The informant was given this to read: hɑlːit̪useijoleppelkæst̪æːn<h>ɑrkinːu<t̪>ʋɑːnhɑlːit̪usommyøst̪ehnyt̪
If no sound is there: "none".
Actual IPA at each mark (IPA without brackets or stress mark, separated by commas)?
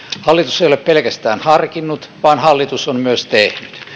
h, t̪